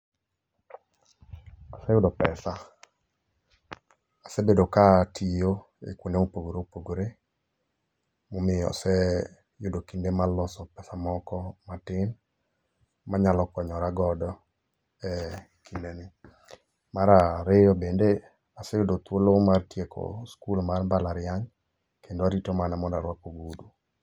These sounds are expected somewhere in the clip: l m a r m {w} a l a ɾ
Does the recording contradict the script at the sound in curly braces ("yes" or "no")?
yes